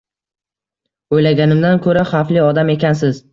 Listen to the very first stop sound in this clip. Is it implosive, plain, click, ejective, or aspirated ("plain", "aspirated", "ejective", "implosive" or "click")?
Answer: plain